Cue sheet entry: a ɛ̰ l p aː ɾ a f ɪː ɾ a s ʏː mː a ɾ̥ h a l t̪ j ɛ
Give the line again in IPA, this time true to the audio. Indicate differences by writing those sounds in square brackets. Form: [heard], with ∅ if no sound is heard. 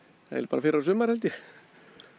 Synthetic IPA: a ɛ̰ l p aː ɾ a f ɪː ɾ a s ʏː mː a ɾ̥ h [ɛ] l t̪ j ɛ